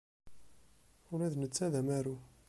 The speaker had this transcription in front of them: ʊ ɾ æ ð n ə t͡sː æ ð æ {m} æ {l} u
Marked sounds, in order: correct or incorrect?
correct, incorrect: ɾ

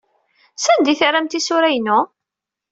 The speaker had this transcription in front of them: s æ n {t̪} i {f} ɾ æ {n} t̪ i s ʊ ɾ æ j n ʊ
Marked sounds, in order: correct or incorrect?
incorrect: d̪, incorrect: θ, incorrect: m

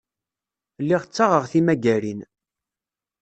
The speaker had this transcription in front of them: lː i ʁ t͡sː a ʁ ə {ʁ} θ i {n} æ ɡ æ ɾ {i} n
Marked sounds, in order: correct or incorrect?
correct, incorrect: m, correct

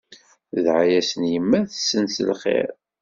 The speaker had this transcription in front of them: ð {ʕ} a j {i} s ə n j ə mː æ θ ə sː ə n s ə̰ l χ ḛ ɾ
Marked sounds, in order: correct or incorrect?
correct, incorrect: æ

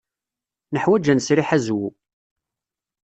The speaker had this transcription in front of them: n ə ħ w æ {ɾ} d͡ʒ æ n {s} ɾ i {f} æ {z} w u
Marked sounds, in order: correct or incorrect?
incorrect: none, correct, incorrect: ħ, correct

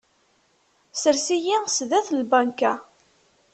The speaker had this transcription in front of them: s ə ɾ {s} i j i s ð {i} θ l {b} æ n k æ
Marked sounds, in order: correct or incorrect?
correct, incorrect: æ, correct

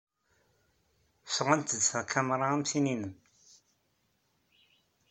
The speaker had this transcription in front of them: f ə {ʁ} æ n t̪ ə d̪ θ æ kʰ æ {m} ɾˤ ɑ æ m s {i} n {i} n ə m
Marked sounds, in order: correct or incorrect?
correct, correct, correct, correct

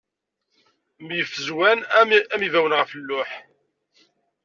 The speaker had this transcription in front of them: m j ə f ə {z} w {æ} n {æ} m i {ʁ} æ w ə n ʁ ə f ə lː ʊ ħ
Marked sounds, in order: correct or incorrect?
correct, correct, correct, incorrect: v

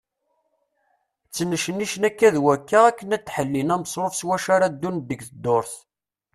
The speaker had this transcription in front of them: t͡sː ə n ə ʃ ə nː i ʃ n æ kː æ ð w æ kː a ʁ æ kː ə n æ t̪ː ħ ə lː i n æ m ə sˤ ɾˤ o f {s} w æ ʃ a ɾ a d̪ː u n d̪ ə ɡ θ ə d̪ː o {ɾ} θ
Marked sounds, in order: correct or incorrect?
correct, correct

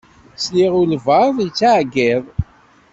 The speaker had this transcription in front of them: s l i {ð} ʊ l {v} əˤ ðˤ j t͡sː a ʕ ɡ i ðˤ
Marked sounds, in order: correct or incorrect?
incorrect: ʁ, correct

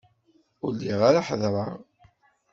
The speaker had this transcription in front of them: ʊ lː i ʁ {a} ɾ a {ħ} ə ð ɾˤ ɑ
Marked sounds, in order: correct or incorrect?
correct, correct

